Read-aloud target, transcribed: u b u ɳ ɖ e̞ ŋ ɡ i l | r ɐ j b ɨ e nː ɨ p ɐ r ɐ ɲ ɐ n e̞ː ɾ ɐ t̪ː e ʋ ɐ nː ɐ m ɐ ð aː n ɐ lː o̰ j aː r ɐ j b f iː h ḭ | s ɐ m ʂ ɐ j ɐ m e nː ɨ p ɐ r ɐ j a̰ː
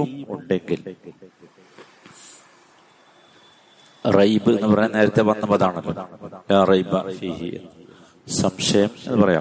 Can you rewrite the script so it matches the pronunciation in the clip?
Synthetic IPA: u m u ɳ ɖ e̞ ŋ ɡ i l | r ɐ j b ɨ e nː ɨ p ɐ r ɐ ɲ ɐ n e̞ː ɾ ɐ t̪ː e ʋ ɐ nː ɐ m ɐ ð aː ɳ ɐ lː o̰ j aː r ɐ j b f iː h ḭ | s ɐ m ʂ ɐ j ɐ m e nː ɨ p ɐ r ɐ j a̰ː